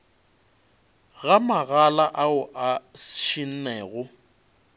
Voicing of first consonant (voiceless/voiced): voiced